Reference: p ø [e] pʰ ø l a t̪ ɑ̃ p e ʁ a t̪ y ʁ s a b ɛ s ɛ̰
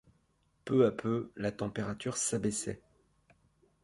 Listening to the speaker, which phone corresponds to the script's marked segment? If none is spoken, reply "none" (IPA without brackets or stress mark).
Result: a